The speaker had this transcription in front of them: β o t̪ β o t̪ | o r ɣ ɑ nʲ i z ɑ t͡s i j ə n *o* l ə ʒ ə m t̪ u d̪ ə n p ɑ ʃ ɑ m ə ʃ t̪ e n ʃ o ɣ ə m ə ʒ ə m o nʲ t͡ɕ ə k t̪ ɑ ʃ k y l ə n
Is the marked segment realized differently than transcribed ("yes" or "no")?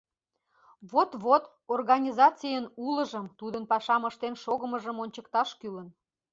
yes